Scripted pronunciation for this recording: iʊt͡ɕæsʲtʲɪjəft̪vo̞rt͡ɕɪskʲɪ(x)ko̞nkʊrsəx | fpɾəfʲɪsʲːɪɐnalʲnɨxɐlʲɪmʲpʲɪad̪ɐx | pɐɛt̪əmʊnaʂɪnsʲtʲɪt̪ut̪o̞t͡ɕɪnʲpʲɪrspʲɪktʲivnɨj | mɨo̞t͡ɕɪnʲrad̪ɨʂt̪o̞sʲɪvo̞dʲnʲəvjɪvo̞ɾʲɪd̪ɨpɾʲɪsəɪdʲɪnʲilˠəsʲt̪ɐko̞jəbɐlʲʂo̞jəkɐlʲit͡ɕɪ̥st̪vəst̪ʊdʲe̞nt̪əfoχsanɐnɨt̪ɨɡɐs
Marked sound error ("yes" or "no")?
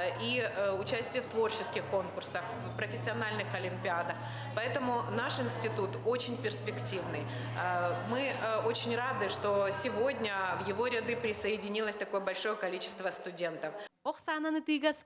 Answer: no